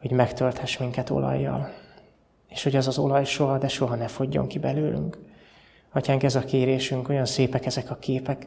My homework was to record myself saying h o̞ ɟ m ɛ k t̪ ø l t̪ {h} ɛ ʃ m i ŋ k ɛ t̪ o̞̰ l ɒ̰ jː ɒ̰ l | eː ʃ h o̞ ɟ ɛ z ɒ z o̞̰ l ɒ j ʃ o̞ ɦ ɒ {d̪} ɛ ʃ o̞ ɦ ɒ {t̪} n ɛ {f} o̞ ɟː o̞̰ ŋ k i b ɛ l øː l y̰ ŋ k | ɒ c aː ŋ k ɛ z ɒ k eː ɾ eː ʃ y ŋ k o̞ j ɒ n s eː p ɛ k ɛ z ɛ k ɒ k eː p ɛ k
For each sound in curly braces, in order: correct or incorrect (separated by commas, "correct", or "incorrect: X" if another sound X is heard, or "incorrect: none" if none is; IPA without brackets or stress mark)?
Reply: correct, correct, incorrect: none, correct